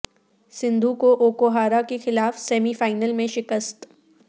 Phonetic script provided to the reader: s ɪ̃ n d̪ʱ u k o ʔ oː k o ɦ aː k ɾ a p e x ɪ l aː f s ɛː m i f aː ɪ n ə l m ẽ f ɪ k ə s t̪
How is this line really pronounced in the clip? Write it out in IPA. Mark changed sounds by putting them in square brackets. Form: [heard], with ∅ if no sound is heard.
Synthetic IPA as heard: s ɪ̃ n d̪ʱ u k o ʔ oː k o ɦ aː [∅] ɾ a [k] e x ɪ l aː f s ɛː m i f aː ɪ n ə l m ẽ [ʃ] ɪ k ə s t̪

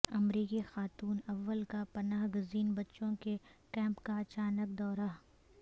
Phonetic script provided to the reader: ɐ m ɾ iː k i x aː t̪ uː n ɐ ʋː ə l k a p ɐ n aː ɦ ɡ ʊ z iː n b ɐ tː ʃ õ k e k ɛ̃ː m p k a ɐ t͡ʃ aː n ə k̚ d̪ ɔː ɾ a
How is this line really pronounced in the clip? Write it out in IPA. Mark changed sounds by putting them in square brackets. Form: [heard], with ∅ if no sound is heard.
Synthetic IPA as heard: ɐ m ɾ iː k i x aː t̪ uː n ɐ ʋː ə l k a p ɐ n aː ɦ ɡ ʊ z iː n b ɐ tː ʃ õ k e k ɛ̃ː m p k a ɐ t͡ʃ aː n ə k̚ d̪ ɔː ɾ a

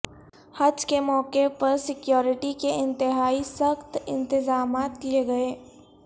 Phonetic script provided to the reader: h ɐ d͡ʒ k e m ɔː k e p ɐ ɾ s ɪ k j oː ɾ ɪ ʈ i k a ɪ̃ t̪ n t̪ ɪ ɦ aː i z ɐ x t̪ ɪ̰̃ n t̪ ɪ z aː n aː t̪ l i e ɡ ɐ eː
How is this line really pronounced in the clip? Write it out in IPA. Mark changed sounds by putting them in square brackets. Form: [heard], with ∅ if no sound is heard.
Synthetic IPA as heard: h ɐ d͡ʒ k e m ɔː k e p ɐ ɾ s ɪ k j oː ɾ ɪ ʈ i k [e] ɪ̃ [∅] n t̪ ɪ ɦ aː i [s] ɐ x t̪ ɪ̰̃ n t̪ ɪ z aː [m] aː t̪ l i e ɡ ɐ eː

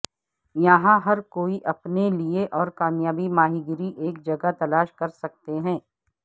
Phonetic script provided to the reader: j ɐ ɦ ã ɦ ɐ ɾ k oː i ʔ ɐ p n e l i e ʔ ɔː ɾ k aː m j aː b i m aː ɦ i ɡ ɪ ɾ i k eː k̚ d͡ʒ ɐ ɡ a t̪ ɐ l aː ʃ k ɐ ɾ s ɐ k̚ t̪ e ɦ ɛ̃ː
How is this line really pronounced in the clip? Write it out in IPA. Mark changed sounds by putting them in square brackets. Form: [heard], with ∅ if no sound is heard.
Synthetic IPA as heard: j ɐ ɦ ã ɦ ɐ ɾ k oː i ʔ ɐ p n e l i e ʔ ɔː ɾ k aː m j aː b i m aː ɦ i ɡ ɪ ɾ i [ʔ] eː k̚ d͡ʒ ɐ ɡ a t̪ ɐ l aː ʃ k ɐ ɾ s ɐ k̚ t̪ e ɦ ɛ̃ː

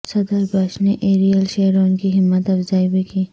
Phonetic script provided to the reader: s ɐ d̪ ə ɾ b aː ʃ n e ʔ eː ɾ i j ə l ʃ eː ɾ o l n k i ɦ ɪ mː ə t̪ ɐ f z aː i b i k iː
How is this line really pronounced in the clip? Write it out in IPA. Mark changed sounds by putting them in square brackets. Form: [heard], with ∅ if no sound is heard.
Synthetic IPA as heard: s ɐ d̪ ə ɾ b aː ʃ n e ʔ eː ɾ i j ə l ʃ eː ɾ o [∅] n k i ɦ ɪ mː ə t̪ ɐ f z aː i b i k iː

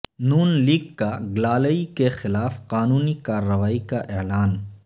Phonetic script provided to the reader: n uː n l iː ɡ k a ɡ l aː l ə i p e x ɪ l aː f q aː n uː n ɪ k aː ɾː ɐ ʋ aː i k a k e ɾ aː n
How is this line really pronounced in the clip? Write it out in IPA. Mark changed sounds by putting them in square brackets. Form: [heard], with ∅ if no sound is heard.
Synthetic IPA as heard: n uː n l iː ɡ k a ɡ l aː l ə i [k] e x ɪ l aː f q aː n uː n [i] k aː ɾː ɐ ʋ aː i k a [ʔ] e [l] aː n

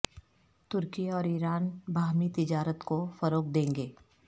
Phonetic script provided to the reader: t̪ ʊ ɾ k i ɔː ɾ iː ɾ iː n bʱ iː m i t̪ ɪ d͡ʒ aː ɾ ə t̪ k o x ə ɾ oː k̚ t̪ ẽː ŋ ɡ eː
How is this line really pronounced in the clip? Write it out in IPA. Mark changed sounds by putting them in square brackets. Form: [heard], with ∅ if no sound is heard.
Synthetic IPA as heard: t̪ ʊ ɾ k i ɔː ɾ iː ɾ [aː] n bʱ [aː] m i t̪ ɪ d͡ʒ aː ɾ ə t̪ k o [f] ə ɾ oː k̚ [d̪] ẽː ŋ ɡ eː

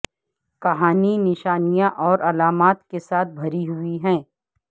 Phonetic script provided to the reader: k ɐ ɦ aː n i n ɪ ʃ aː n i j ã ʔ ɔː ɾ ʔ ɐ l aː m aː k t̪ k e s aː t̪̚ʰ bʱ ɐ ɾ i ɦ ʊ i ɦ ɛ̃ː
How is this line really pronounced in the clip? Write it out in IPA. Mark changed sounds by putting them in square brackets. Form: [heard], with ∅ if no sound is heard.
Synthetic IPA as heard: k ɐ ɦ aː n i n ɪ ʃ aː n i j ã ʔ ɔː ɾ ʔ ɐ l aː m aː [∅] t̪ k e s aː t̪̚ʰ bʱ ɐ ɾ i ɦ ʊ i ɦ ɛ̃ː

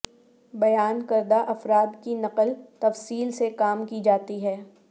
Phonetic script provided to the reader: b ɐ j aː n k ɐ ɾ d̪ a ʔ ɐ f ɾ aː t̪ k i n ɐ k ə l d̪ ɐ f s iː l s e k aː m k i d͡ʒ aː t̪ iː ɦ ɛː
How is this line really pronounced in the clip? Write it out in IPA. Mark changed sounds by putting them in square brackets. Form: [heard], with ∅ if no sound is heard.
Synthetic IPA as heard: b ɐ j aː n k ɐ ɾ d̪ a ʔ ɐ f ɾ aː [d̪] k i n ɐ [q] ə l [t̪] ɐ f s iː l s e k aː m k i d͡ʒ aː t̪ [i] ɦ ɛː

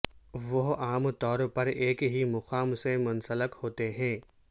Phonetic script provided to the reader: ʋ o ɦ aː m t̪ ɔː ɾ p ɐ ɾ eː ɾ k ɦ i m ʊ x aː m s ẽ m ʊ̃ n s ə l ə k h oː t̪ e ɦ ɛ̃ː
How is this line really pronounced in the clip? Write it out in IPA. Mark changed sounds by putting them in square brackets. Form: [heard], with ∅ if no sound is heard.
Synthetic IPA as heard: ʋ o ɦ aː m t̪ ɔː ɾ p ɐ ɾ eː [∅] k ɦ i m ʊ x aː m s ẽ m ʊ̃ n s ə l ə k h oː t̪ e ɦ ɛ̃ː

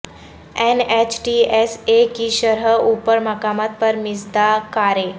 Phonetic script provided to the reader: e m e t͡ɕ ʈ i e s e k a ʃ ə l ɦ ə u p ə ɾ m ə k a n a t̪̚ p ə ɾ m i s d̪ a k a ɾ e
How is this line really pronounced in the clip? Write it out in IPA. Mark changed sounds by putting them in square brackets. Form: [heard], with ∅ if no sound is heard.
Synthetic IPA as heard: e [n] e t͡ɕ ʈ i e s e k [i] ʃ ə [ɾ] ɦ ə u p ə ɾ m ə k a [m] a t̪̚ p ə ɾ m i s d̪ a k a ɾ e

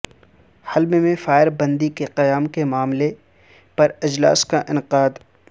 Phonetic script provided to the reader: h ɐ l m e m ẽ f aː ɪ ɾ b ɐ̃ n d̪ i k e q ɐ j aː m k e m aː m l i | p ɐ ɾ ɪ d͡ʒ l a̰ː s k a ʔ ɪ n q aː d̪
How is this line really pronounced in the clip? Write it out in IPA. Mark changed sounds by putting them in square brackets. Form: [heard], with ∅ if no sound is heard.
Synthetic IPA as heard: h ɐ l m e m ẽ f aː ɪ ɾ b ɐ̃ n d̪ i k e q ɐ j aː m k e m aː m l [e] | p ɐ ɾ ɪ d͡ʒ l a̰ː s k a ʔ ɪ n q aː d̪

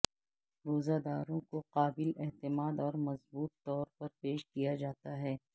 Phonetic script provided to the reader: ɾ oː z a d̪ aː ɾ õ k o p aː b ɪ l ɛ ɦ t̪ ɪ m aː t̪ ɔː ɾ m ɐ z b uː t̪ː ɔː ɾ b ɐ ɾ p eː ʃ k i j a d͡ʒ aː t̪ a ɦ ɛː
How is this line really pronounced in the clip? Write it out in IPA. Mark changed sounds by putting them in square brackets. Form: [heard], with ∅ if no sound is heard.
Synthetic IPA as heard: ɾ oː z a d̪ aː ɾ õ k o [q] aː b ɪ l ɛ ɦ t̪ ɪ m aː [d̪] ɔː ɾ m ɐ z b uː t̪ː ɔː ɾ [p] ɐ ɾ p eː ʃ k i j a d͡ʒ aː t̪ a ɦ ɛː

